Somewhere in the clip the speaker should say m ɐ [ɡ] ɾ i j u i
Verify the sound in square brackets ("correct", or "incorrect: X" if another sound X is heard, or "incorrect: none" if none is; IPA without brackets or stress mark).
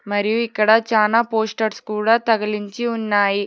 incorrect: none